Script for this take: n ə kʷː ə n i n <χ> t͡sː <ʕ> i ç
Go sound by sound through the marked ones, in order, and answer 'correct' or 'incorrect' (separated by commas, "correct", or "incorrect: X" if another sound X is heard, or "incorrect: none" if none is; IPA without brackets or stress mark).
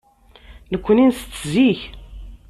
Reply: incorrect: s, incorrect: z